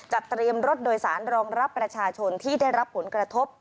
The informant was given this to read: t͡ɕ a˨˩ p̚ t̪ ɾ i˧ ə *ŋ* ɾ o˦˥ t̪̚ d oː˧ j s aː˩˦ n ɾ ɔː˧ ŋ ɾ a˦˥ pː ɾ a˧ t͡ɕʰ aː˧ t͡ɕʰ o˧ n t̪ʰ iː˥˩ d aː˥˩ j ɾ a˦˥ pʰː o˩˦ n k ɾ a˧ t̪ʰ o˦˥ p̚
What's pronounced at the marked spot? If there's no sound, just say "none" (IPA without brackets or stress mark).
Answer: m